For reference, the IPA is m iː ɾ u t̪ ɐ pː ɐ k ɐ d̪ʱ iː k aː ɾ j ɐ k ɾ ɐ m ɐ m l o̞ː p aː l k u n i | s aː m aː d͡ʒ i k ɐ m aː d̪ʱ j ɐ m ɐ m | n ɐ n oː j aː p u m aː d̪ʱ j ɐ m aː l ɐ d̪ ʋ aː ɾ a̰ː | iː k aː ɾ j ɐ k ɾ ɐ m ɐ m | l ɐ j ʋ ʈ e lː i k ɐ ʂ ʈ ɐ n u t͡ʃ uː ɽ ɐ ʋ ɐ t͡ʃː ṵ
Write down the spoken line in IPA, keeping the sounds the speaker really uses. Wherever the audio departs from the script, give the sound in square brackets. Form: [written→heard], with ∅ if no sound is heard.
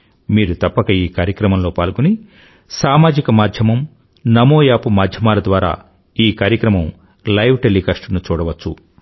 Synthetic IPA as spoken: m iː ɾ u t̪ ɐ pː ɐ k ɐ [d̪ʱ→∅] iː k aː ɾ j ɐ k ɾ ɐ m ɐ m l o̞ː p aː l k u n i | s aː m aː d͡ʒ i k ɐ m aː d̪ʱ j ɐ m ɐ m | n ɐ [n→m] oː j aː p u m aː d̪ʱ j ɐ m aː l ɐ d̪ ʋ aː ɾ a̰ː | iː k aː ɾ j ɐ k ɾ ɐ m ɐ m | l ɐ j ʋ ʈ e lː i k ɐ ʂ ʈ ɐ n u t͡ʃ uː ɽ ɐ ʋ ɐ t͡ʃː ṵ